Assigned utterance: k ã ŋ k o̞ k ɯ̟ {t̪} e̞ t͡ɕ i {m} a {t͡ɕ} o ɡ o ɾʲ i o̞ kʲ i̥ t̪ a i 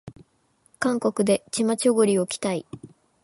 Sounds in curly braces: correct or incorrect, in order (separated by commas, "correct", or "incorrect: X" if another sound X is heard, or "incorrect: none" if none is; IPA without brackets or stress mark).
incorrect: d̪, correct, correct